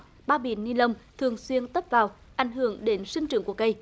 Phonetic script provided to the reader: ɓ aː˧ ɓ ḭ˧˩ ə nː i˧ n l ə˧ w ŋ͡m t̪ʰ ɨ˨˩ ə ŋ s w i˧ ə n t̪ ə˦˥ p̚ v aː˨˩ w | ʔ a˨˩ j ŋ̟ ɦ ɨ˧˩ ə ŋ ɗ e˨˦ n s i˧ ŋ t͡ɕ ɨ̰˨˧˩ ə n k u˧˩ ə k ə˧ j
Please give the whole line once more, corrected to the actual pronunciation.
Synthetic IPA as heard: ɓ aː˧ ɓ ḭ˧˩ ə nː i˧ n l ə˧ w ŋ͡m t̪ʰ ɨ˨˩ ə ŋ s w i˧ ə n t̪ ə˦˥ p̚ v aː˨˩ w | ʔ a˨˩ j ŋ̟ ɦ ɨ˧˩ ə ŋ ɗ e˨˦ n s i˧ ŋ t͡ɕ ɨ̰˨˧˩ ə ŋ k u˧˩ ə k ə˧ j

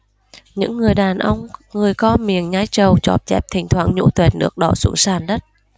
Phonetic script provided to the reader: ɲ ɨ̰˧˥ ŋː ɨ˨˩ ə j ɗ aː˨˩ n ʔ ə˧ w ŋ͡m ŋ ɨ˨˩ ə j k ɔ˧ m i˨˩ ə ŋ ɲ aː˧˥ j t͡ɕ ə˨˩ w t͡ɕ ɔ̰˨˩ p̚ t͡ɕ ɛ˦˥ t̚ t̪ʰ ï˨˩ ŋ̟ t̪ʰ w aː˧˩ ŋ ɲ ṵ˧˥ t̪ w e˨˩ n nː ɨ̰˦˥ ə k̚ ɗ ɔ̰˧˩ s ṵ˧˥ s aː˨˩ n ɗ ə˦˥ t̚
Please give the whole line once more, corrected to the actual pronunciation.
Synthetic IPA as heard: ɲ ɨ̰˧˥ ŋː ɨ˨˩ ə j ɗ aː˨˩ n ʔ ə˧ w ŋ͡m ŋ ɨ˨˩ ə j k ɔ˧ m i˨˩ ə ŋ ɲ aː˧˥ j t͡ɕ ə˨˩ w t͡ɕ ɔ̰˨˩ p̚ t͡ɕ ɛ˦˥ p̚ t̪ʰ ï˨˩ ŋ̟ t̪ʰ w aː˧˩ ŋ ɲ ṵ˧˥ t̪ w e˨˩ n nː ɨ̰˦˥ ə k̚ ɗ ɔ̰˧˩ s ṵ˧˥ s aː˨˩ n ɗ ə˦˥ t̚

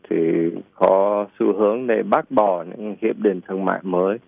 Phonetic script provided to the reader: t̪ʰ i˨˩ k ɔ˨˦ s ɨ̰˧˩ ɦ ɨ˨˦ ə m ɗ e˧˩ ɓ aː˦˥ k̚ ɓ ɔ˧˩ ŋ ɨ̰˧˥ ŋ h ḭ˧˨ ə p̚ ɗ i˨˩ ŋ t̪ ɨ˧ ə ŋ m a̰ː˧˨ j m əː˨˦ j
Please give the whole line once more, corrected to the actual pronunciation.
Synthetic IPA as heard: t̪ʰ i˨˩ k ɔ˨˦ s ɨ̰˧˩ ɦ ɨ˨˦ ə ŋ ɗ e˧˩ ɓ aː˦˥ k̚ ɓ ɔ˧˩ ɲ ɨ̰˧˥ ŋ h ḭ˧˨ ə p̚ ɗ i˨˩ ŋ t̪ʰ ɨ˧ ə ŋ m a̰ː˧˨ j m əː˨˦ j

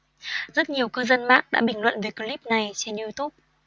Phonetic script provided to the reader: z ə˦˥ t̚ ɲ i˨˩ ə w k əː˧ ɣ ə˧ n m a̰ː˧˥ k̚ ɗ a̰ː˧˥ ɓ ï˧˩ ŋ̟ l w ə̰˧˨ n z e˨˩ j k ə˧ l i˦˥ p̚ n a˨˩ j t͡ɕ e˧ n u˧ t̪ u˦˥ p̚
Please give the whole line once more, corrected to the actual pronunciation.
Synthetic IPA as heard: z ə˦˥ t̚ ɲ i˨˩ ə w k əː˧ z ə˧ n m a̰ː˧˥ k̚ ɗ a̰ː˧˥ ɓ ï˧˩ ŋ̟ l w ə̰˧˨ n v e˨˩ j k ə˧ l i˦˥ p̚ n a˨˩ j t͡ɕ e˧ n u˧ t̪ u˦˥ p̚

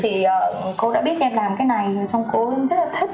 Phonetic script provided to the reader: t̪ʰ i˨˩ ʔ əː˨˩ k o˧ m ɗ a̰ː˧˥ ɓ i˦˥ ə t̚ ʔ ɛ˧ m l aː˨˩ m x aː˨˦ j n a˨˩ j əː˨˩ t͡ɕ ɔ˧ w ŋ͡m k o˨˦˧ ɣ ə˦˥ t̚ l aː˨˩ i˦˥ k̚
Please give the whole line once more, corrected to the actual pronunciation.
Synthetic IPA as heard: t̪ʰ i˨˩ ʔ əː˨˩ k o˧ ɗ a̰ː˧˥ ɓ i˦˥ ə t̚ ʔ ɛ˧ m l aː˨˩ m k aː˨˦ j n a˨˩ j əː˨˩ t͡ɕ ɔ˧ w ŋ͡m k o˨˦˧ z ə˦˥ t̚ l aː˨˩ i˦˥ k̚

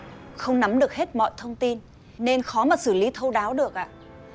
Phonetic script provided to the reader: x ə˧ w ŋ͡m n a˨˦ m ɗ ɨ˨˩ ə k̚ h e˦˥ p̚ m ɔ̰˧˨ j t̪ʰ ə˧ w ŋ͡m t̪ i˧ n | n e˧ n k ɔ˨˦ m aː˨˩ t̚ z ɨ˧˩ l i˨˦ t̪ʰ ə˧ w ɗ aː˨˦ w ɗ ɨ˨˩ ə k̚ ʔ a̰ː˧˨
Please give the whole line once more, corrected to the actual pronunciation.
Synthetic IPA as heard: x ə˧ w ŋ͡m n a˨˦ m ɗ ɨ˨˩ ə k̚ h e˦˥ t̚ m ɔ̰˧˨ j t̪ʰ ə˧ w ŋ͡m t̪ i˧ n | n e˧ n x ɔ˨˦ m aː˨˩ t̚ s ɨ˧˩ l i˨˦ t̪ʰ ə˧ w ɗ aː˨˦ w ɗ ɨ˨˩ ə k̚ ʔ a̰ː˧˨

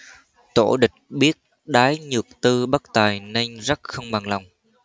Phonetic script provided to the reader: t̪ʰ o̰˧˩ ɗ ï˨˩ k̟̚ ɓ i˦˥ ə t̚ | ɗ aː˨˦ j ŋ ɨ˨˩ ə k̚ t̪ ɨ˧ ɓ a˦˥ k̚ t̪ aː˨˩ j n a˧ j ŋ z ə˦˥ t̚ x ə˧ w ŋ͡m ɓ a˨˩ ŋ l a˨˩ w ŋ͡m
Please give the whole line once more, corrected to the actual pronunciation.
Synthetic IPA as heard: t̪ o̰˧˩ ɗ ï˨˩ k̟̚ ɓ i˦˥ ə t̚ | ɗ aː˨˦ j ɲ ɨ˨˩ ə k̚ t̪ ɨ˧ ɓ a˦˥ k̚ t̪ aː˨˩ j n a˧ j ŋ z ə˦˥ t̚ x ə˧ w ŋ͡m ɓ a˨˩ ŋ l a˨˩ w ŋ͡m

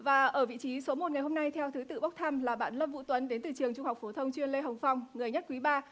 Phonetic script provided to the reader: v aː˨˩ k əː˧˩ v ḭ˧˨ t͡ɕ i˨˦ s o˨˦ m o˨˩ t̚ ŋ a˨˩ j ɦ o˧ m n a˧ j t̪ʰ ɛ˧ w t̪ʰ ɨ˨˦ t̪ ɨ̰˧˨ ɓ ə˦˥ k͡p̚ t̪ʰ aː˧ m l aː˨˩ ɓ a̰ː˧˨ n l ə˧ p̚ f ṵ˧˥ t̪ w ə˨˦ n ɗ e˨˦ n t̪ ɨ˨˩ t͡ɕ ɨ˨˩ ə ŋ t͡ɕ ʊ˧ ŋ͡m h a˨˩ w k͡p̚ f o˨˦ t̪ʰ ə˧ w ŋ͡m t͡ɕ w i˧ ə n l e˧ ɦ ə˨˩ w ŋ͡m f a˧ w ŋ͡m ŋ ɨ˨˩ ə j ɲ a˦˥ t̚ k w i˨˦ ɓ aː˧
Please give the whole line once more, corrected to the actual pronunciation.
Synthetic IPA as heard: v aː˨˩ ʔ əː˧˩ v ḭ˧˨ t͡ɕ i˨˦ s o˨˦ m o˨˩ t̚ ŋ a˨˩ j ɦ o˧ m n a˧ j t̪ʰ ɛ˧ w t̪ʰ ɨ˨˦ t̪ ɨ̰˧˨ ɓ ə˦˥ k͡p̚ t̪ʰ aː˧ m l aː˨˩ ɓ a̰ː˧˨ n l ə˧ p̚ v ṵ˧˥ t̪ w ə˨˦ n ɗ e˨˦ n t̪ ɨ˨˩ t͡ɕ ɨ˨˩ ə ŋ t͡ɕ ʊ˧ ŋ͡m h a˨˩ w k͡p̚ f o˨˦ t̪ʰ ə˧ w ŋ͡m t͡ɕ w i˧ ə n l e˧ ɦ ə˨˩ w ŋ͡m f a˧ w ŋ͡m ŋ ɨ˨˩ ə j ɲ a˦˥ t̚ k w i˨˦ ɓ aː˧

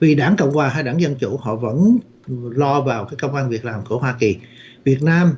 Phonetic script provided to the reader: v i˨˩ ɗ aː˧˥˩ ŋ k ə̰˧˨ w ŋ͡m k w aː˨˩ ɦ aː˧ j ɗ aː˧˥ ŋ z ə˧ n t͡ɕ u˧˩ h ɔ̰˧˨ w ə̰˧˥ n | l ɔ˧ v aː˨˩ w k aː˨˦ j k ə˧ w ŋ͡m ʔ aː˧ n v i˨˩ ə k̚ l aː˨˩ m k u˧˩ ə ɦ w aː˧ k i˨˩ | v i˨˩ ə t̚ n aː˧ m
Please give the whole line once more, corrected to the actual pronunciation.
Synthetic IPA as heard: v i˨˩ ɗ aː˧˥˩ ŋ k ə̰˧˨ w ŋ͡m k w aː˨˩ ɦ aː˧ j ɗ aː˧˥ ŋ z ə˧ n t͡ɕ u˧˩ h ɔ̰˧˨ v ə̰˧˥ n | l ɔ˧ v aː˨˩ w k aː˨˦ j k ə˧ w ŋ͡m ʔ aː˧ n v i˨˩ ə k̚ l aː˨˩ m k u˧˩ ə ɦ w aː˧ k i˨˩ | v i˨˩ ə t̚ n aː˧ m

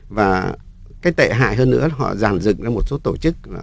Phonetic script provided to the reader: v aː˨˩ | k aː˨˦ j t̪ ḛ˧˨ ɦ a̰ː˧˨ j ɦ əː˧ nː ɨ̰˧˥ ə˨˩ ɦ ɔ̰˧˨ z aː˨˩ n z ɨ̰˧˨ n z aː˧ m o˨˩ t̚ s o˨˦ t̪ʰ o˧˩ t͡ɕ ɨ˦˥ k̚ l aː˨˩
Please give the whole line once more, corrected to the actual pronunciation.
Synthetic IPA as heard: v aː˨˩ | k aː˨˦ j t̪ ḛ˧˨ ɦ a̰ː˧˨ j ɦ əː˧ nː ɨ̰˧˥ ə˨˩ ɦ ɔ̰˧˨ z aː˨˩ n z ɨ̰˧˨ ŋ z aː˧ m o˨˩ t̚ s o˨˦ t̪ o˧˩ t͡ɕ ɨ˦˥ k̚ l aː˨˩

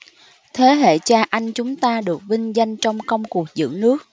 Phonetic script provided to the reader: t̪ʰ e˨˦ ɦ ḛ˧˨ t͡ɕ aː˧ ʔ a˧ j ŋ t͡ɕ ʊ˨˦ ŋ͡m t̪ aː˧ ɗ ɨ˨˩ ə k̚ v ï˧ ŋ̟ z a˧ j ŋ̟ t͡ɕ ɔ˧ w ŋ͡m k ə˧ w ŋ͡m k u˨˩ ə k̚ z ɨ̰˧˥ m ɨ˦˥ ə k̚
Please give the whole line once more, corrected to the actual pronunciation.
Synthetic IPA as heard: t̪ʰ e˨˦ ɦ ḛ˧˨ t͡ɕ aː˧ ʔ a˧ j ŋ t͡ɕ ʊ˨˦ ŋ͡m t̪ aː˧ ɗ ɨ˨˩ ə k̚ v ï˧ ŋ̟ z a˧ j ŋ̟ t͡ɕ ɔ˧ w ŋ͡m k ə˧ w ŋ͡m k u˨˩ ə k̚ z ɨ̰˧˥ n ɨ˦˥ ə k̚

